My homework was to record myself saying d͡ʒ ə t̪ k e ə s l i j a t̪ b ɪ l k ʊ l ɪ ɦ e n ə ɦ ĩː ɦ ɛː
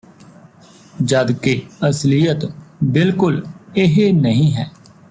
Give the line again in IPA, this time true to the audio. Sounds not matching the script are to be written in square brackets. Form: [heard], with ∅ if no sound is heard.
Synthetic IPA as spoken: d͡ʒ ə [d̪] k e ə s l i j [ə] t̪ b ɪ l k ʊ l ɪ ɦ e n ə ɦ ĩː ɦ ɛː